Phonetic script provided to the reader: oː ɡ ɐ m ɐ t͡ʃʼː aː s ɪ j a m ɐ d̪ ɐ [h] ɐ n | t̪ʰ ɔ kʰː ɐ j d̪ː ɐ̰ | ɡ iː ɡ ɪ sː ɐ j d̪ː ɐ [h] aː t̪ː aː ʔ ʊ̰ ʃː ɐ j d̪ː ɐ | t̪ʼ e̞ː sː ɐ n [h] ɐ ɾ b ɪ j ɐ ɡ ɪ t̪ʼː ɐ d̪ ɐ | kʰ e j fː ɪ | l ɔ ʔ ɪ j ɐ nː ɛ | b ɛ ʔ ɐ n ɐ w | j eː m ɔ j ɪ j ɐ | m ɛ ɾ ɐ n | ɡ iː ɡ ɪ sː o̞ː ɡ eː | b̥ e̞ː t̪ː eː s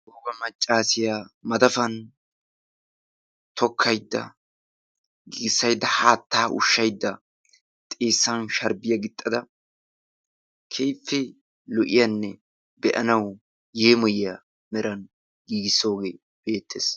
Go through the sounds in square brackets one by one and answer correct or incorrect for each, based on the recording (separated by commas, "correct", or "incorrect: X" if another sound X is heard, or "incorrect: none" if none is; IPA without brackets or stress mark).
incorrect: f, correct, incorrect: ʃ